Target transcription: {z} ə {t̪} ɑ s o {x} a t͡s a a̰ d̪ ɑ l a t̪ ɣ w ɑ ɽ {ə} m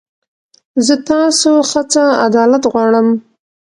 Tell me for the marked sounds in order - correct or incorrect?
correct, correct, correct, correct

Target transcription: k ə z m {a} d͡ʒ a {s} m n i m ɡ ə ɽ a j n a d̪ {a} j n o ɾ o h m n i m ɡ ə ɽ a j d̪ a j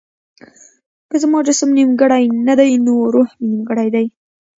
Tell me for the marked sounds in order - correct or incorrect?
incorrect: ɑ, correct, correct

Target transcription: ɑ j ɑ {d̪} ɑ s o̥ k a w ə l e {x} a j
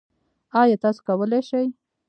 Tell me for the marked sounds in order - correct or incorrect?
incorrect: t̪, incorrect: ʃ

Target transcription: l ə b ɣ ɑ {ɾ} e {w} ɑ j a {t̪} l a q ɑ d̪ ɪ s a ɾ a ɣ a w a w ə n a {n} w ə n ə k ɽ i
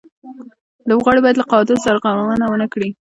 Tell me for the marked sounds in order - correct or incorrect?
incorrect: ɽ, incorrect: b, incorrect: d̪, incorrect: none

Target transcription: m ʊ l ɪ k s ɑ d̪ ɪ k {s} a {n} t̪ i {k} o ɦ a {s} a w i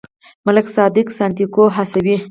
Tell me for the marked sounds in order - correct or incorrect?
correct, correct, correct, correct

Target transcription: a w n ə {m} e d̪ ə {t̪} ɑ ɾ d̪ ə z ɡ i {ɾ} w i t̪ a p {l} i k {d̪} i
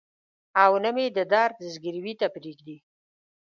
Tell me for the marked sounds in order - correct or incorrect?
correct, incorrect: d̪, correct, incorrect: ɾ, correct

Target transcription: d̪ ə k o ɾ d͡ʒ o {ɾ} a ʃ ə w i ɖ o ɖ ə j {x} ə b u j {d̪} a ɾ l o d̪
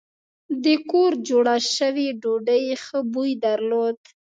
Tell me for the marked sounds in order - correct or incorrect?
incorrect: ɽ, correct, correct

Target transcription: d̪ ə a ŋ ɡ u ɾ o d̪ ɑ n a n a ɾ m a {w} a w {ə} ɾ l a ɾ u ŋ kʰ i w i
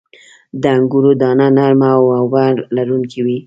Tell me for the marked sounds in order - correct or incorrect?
correct, incorrect: a

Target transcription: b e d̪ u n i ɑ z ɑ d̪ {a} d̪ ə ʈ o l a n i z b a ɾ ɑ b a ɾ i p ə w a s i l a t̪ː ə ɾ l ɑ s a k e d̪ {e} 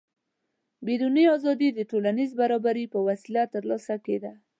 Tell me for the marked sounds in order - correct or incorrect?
incorrect: i, incorrect: a

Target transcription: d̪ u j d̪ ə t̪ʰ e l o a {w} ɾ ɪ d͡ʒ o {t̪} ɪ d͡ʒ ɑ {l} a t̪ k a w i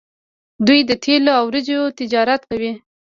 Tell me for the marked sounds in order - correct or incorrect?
correct, correct, incorrect: ɾ

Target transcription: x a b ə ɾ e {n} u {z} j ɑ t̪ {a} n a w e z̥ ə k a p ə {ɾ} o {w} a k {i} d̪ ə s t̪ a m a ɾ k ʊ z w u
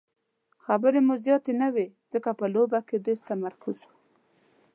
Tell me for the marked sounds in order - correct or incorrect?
incorrect: m, correct, incorrect: e, incorrect: l, incorrect: b, incorrect: e

